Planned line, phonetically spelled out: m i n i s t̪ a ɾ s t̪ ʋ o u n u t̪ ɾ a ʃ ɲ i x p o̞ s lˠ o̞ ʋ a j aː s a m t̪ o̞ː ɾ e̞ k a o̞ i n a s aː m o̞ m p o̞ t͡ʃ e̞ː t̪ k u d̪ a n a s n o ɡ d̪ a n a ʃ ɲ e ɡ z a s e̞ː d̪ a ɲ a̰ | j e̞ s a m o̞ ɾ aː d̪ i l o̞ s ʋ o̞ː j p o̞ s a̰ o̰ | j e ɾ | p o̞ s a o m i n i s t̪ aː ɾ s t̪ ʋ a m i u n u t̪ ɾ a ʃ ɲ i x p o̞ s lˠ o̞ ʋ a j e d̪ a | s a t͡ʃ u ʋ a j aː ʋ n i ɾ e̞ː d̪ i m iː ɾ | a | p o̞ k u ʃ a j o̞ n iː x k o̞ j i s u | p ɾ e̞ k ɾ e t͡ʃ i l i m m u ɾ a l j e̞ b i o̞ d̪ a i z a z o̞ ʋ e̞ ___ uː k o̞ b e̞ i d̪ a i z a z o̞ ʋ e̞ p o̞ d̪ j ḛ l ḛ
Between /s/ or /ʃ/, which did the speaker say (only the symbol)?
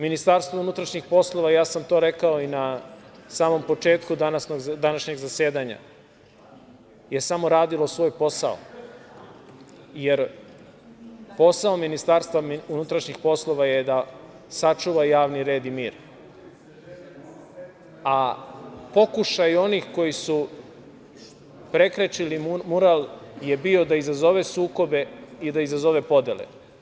s